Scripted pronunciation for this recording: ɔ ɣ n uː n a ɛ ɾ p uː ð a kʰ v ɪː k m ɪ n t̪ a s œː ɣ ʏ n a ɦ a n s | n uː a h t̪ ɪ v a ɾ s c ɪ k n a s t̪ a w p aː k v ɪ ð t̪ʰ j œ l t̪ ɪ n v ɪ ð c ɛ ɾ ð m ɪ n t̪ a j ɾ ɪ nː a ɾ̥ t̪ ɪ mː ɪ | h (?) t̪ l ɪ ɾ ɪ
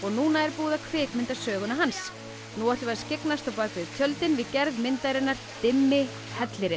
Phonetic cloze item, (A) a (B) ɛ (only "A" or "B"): B